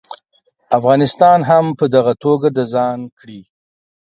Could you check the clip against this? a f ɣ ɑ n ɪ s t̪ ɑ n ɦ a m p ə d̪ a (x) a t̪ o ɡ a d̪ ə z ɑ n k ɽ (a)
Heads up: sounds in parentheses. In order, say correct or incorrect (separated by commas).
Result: incorrect, incorrect